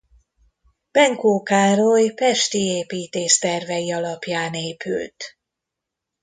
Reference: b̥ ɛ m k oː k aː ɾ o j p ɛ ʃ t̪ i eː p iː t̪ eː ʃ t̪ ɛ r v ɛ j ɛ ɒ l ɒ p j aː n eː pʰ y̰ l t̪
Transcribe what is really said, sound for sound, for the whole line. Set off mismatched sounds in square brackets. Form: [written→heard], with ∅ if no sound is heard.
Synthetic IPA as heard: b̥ ɛ [m→ŋ] k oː k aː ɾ o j p ɛ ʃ t̪ i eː p iː t̪ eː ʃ t̪ ɛ r v ɛ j [ɛ→i] ɒ l ɒ p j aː n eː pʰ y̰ l t̪